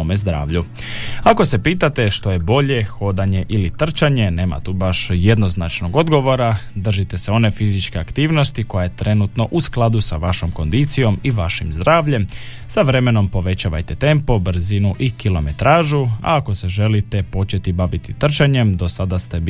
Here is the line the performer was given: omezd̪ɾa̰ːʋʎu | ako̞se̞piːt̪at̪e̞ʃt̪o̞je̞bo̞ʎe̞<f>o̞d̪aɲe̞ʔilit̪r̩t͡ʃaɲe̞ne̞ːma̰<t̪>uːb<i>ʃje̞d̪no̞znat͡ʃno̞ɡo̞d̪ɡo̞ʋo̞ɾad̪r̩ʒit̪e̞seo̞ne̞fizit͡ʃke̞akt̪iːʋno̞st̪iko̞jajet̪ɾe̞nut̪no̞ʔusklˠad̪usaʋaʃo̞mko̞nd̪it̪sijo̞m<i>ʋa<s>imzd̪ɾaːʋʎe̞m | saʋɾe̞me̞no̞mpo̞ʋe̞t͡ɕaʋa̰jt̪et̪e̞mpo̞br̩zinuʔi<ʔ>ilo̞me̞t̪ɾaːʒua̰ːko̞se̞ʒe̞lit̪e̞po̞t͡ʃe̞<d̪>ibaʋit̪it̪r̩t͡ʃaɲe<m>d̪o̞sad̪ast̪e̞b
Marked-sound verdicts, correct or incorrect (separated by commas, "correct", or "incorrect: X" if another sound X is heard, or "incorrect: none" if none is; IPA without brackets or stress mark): incorrect: x, correct, incorrect: a, correct, incorrect: ʃ, incorrect: k, incorrect: t̪, correct